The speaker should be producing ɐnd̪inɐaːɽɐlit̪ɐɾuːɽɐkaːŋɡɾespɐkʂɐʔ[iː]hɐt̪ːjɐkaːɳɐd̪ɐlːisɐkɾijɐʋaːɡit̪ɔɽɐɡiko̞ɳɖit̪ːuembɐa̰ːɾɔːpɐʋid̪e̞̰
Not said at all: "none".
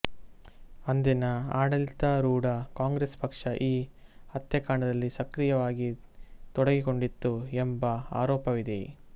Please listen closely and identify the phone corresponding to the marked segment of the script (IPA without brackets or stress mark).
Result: iː